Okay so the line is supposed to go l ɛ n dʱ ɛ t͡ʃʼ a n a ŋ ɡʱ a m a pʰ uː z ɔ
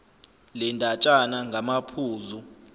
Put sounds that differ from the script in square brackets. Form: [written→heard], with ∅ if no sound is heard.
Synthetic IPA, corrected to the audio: l ɛ n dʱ [ɛ→a] t͡ʃʼ a n a ŋ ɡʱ a m a pʰ uː z [ɔ→u]